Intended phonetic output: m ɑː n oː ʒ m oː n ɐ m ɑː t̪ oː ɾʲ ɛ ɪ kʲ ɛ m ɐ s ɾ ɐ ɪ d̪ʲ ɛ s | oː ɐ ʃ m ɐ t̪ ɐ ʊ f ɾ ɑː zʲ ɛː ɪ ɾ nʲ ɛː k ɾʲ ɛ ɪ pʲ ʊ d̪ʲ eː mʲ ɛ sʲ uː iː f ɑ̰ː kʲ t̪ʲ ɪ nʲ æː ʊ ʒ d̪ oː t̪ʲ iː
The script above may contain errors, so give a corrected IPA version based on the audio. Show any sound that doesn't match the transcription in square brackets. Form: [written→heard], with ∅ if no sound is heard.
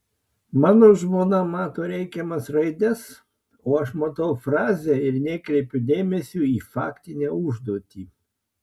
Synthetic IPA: m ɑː n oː ʒ m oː n ɐ m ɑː t̪ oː ɾʲ ɛ ɪ kʲ ɛ m ɐ s ɾ ɐ ɪ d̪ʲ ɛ s | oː ɐ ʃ m ɐ t̪ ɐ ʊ f ɾ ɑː zʲ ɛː ɪ ɾ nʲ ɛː k ɾʲ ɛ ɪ pʲ ʊ d̪ʲ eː mʲ ɛ sʲ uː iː f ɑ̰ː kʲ t̪ʲ ɪ nʲ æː ʊ ʒ d̪ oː t̪ʲ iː